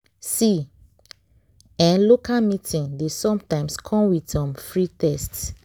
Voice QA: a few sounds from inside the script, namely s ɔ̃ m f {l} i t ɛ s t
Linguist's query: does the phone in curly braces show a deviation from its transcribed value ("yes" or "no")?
yes